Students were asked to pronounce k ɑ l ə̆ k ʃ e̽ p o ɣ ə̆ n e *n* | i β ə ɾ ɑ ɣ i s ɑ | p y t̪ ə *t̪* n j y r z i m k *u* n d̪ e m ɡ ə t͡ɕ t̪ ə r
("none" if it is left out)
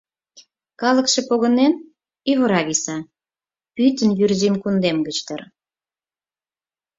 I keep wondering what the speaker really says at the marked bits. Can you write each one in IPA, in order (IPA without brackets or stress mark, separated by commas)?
n, none, u